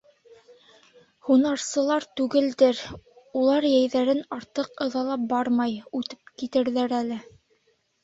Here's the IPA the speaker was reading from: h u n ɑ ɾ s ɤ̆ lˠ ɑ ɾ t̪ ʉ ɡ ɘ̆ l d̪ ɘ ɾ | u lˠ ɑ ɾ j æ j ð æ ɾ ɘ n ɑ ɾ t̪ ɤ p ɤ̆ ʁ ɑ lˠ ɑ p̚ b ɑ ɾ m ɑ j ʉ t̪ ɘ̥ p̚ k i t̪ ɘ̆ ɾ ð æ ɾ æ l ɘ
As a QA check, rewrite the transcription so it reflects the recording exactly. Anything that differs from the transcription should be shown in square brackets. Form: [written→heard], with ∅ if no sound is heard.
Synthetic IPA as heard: h u n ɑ ɾ s ɤ̆ lˠ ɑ ɾ t̪ ʉ ɡ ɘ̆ l d̪ ɘ ɾ | u lˠ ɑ ɾ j æ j ð æ ɾ ɘ n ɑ ɾ t̪ ɤ [p→q] ɤ̆ [ʁ→ð] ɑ lˠ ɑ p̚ b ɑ ɾ m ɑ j ʉ t̪ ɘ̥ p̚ k i t̪ ɘ̆ ɾ ð æ ɾ æ l ɘ

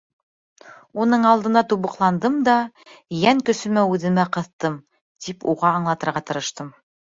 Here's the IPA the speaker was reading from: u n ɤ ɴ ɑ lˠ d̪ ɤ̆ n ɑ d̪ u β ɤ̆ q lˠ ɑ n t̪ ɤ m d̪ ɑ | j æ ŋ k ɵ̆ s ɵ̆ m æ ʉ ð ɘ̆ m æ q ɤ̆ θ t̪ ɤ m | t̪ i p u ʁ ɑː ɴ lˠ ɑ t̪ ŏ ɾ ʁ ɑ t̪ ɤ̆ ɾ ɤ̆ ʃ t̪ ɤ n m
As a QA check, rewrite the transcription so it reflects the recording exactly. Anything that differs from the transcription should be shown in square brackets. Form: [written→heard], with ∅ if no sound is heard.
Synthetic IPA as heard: u n ɤ ɴ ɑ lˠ d̪ ɤ̆ n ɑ [d̪→t̪] u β ɤ̆ q lˠ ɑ n [t̪→d̪] ɤ m d̪ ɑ | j æ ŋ k ɵ̆ s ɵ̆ m æ ʉ ð ɘ̆ m æ q ɤ̆ θ t̪ ɤ m | t̪ i p u ʁ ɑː ɴ lˠ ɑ t̪ [ŏ→ɤ̆] ɾ ʁ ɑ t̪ ɤ̆ ɾ ɤ̆ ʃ t̪ ɤ [n→∅] m

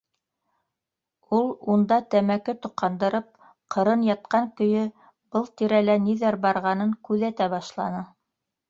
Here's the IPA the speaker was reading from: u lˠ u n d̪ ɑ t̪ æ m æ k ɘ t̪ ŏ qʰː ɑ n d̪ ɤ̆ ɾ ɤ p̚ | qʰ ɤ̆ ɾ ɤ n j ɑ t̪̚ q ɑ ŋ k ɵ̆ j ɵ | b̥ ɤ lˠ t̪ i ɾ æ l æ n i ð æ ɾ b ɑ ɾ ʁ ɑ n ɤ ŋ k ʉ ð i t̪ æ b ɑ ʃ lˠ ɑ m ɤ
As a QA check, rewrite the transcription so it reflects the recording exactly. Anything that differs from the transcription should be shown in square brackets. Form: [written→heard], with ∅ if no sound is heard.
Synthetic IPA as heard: u lˠ u n d̪ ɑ t̪ æ m æ k ɘ t̪ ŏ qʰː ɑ n d̪ ɤ̆ ɾ ɤ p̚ | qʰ ɤ̆ ɾ ɤ n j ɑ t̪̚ q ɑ ŋ k ɵ̆ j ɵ | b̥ ɤ lˠ t̪ i ɾ æ l æ n i ð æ ɾ b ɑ ɾ ʁ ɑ n ɤ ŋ k ʉ ð [i→æ] t̪ æ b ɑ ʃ lˠ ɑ [m→n] ɤ

